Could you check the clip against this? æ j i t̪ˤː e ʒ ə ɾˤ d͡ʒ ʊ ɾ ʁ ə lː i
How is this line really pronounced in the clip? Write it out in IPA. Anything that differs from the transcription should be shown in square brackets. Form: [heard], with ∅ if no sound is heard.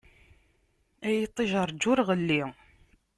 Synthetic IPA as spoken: æ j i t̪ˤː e ʒ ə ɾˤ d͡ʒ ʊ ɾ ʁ ə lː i